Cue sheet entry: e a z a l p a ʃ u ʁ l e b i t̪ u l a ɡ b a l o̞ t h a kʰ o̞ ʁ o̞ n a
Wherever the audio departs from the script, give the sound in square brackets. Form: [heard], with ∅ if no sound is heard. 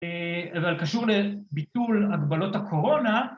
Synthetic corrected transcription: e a [v] a l [k] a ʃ u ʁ l e b i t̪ u l a ɡ b a l o̞ t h a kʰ o̞ ʁ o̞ n a